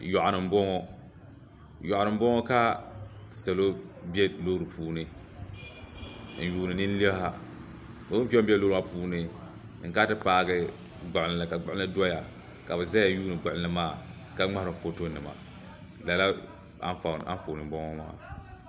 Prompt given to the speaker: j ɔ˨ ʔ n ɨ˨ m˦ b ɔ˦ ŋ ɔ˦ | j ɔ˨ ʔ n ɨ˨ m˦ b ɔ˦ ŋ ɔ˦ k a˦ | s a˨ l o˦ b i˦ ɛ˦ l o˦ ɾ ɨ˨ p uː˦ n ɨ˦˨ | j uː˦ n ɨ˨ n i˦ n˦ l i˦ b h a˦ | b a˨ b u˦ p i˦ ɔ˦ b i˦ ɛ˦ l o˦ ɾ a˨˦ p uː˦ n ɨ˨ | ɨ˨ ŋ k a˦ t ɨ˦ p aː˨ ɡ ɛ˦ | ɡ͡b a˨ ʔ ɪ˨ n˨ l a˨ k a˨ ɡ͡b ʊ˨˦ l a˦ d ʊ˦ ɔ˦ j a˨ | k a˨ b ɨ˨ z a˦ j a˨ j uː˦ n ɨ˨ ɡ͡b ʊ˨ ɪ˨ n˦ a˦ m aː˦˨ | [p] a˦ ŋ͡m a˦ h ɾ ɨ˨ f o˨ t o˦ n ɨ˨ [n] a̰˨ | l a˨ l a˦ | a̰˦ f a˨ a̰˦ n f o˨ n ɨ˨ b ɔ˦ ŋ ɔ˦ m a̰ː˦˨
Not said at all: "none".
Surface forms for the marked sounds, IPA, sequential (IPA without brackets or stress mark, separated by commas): k, m